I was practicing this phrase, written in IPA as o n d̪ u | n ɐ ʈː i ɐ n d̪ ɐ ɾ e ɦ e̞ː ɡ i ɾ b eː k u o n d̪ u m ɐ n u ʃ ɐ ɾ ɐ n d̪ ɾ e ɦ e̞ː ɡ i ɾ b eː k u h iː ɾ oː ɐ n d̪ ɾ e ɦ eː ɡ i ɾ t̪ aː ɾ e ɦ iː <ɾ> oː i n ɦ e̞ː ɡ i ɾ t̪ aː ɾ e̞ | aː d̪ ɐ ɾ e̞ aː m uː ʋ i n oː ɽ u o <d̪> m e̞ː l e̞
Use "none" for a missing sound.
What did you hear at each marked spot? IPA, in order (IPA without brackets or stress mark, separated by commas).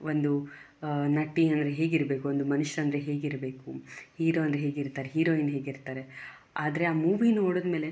ɾ, d̪